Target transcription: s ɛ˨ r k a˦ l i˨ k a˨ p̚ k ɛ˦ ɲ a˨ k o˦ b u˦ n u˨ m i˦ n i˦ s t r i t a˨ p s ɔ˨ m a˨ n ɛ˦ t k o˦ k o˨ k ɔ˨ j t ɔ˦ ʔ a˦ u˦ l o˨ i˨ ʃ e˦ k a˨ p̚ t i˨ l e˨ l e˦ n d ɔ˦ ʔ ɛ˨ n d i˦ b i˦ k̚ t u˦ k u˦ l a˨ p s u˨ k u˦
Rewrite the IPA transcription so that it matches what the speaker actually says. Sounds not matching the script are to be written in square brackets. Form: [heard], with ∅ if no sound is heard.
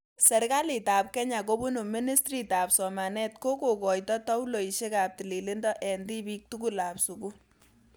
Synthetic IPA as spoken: s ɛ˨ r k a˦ l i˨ [t] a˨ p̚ k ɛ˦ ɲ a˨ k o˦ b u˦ n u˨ m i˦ n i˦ s t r i t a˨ p s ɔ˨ m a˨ n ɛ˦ t k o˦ k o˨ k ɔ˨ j t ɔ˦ [t] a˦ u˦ l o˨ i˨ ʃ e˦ k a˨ p̚ t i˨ l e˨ l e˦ n d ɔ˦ ʔ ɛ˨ n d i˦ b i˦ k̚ t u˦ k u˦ l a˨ p s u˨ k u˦